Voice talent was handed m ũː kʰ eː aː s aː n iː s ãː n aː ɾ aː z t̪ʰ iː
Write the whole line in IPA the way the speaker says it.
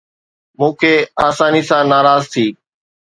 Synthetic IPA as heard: m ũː kʰ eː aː s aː n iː s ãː n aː ɾ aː z t̪ʰ iː